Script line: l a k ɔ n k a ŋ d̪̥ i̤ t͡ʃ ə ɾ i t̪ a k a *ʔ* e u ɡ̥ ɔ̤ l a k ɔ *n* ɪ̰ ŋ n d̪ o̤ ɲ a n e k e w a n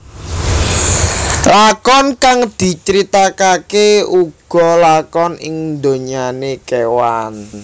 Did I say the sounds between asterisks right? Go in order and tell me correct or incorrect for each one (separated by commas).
incorrect, correct